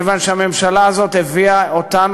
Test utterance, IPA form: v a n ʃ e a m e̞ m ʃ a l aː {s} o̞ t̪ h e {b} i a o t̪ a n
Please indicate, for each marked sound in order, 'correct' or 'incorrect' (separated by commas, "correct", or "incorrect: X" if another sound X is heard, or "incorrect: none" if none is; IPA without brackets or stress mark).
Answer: incorrect: z, incorrect: v